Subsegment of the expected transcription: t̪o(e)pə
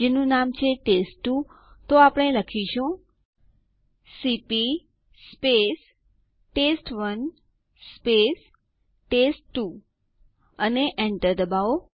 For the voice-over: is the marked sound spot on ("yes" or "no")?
no